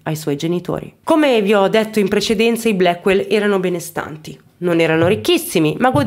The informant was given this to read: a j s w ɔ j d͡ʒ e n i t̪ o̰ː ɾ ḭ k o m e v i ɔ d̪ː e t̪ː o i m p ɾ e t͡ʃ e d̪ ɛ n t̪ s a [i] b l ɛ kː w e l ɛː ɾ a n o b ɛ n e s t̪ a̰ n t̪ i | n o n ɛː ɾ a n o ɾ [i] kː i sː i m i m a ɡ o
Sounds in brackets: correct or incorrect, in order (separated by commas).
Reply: correct, correct